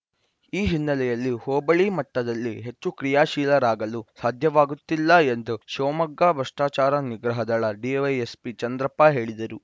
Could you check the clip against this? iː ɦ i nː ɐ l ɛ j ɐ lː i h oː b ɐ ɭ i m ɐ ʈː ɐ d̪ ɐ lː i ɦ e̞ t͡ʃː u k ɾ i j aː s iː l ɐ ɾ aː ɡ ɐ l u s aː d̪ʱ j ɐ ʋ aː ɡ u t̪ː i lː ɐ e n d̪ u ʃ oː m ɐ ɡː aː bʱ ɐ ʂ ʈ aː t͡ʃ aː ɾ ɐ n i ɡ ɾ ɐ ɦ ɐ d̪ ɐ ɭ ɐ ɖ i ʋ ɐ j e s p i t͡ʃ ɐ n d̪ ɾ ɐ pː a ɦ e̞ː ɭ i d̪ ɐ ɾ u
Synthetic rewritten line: iː ɦ i nː ɐ l ɛ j ɐ lː i h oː b ɐ ɭ i m ɐ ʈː ɐ d̪ ɐ lː i ɦ e̞ t͡ʃː u k ɾ i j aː ʃ iː l ɐ ɾ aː ɡ ɐ l u s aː d̪ʱ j ɐ ʋ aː ɡ u t̪ː i lː ɐ e n d̪ u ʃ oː m ɐ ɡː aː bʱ ɐ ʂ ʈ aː t͡ʃ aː ɾ ɐ n i ɡ ɾ ɐ ɦ ɐ d̪ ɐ ɭ ɐ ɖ i ʋ ɐ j e s p i t͡ʃ ɐ n d̪ ɾ ɐ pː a ɦ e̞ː ɭ i d̪ ɐ ɾ u